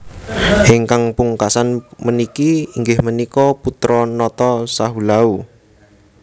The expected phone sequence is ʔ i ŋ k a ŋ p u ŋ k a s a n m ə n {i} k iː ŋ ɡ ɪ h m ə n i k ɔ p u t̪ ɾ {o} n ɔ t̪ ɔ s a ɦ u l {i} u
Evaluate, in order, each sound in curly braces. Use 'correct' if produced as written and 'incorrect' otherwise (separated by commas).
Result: correct, incorrect, incorrect